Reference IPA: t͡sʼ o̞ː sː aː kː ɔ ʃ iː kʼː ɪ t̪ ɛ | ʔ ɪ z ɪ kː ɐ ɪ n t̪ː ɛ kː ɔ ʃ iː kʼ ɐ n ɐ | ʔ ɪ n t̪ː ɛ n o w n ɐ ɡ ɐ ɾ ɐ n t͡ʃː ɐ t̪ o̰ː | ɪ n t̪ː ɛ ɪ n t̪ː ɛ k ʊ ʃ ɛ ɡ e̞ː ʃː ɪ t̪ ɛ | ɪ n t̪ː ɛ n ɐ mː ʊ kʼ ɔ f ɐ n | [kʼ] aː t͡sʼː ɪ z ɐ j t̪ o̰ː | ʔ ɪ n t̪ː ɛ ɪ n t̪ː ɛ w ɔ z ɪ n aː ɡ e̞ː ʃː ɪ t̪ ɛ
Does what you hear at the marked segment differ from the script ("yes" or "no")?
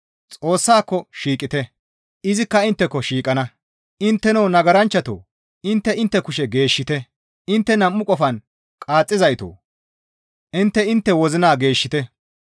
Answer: no